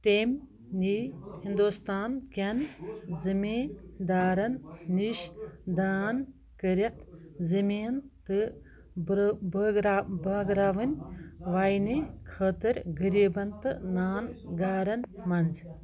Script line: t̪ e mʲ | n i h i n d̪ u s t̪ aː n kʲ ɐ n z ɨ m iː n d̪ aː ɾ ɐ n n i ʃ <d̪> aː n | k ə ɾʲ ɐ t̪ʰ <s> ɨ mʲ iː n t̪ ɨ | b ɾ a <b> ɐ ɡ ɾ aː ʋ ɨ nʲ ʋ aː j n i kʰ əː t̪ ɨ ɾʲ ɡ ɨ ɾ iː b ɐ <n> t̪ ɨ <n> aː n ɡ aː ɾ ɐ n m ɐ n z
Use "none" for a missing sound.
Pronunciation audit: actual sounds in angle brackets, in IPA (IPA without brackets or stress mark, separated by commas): d̪, z, b, n, n